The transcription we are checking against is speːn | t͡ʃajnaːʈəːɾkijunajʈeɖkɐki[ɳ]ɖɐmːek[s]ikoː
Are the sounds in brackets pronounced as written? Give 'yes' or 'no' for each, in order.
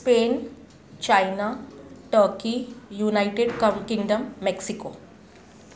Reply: no, yes

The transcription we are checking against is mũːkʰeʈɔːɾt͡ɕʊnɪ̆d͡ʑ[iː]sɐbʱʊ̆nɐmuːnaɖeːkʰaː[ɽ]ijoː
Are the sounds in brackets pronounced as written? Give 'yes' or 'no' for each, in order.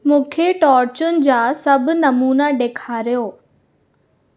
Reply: no, no

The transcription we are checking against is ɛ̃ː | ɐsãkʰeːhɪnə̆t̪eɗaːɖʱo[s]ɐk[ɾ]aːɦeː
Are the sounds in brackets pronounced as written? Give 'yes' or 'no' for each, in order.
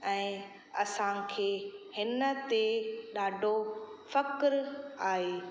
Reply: no, yes

